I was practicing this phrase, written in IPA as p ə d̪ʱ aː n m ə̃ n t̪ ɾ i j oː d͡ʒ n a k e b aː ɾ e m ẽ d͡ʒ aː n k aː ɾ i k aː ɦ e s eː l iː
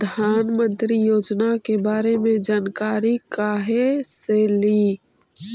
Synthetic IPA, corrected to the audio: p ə d̪ʱ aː n m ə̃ n t̪ ɾ i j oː d͡ʒ n a k e b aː ɾ e m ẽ d͡ʒ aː n k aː ɾ i k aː ɦ e s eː l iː